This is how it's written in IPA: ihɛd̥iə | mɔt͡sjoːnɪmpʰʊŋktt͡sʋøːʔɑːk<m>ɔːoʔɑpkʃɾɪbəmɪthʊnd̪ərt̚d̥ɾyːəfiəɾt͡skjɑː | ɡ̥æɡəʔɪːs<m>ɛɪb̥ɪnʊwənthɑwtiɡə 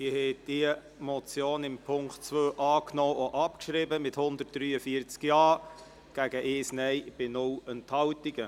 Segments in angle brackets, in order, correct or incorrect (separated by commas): incorrect, incorrect